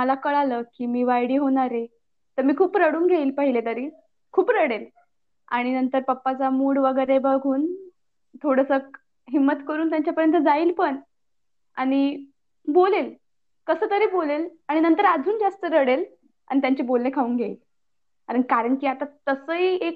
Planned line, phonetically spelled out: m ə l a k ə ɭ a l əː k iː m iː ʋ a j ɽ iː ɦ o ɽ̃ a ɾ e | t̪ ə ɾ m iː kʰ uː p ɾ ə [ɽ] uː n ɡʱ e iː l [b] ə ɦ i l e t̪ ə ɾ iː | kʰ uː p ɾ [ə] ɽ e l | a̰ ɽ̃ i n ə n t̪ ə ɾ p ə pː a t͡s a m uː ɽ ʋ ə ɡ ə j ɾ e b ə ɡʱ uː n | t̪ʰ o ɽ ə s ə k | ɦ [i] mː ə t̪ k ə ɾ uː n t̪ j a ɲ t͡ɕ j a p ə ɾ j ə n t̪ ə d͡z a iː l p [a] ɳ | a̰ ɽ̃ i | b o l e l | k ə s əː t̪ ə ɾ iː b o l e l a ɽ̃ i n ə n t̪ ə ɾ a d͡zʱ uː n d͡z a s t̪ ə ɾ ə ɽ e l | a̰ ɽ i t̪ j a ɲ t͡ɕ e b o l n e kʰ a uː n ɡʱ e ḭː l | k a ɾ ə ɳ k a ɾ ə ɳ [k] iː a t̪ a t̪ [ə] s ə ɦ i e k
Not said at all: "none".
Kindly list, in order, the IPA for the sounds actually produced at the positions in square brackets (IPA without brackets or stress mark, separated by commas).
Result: ɽ, p, ə, i, ə, k, ə